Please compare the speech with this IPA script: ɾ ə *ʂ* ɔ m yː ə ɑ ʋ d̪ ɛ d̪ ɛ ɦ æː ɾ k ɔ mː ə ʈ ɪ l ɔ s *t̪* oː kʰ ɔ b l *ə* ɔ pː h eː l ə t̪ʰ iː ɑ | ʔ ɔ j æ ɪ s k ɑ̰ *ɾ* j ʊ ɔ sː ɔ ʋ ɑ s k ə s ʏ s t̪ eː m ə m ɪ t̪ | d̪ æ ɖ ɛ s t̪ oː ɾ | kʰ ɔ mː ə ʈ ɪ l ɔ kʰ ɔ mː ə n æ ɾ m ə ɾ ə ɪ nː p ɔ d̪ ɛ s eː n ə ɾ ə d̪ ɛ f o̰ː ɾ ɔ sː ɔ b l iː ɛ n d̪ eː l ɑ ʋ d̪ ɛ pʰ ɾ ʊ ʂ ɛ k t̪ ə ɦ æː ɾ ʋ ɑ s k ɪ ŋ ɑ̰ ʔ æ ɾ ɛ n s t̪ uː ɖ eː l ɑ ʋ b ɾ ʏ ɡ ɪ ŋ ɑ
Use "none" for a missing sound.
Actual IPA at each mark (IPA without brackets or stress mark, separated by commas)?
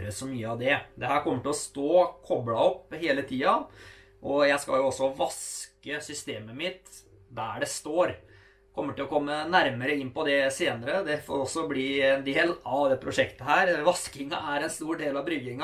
s, t̪, ɑ, l